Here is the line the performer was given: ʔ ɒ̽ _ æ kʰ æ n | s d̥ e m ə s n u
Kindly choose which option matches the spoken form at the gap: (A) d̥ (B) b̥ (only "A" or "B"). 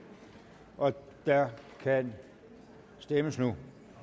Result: A